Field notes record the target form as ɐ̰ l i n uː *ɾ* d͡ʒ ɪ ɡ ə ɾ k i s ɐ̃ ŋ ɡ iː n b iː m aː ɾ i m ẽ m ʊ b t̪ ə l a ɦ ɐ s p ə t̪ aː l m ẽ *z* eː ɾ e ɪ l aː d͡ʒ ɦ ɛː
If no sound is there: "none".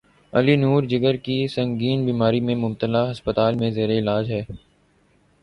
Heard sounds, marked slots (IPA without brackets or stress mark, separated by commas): ɾ, z